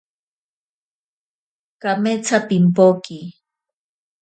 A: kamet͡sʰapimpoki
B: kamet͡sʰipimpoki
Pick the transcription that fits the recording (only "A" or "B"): A